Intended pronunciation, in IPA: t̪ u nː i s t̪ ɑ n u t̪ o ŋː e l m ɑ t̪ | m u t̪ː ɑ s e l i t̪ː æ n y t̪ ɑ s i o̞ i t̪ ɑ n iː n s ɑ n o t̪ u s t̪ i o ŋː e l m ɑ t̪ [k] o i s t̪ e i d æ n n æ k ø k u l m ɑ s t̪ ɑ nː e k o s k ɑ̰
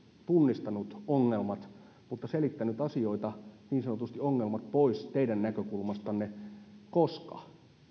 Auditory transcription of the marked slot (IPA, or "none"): p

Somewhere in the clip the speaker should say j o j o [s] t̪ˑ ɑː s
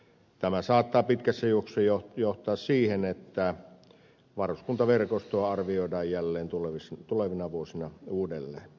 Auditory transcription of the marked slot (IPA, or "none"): h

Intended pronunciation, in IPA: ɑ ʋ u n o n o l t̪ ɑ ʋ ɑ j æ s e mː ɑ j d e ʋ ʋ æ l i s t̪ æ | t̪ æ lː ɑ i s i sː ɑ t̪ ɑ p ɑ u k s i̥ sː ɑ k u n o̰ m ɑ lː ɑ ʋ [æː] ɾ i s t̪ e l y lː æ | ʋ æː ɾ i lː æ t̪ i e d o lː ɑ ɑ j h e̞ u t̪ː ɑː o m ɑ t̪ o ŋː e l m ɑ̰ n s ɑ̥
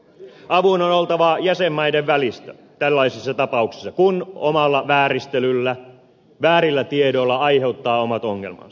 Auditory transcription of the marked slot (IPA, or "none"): æː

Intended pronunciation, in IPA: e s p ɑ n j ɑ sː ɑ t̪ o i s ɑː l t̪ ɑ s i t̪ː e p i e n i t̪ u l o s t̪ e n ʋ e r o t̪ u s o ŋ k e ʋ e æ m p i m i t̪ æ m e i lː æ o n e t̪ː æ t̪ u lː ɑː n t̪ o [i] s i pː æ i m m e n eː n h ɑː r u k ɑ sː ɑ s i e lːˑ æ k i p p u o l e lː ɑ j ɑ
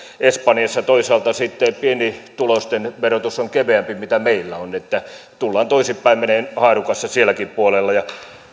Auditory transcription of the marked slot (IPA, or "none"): i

